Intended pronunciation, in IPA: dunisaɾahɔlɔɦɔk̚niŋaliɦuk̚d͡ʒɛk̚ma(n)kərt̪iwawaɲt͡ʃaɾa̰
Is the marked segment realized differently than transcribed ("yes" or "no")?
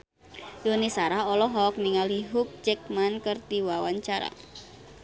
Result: no